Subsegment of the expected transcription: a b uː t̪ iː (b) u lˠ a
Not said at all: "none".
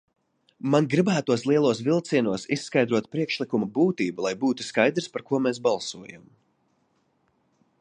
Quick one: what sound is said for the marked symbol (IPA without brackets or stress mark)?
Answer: b